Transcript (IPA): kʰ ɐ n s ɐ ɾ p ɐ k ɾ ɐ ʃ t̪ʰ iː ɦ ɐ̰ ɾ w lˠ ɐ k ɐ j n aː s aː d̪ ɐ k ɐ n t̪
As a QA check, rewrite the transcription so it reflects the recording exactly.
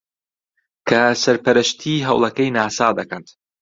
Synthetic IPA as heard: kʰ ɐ s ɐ ɾ p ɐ ɾ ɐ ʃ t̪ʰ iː ɦ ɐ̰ w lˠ ɐ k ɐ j n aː s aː d̪ ɐ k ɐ n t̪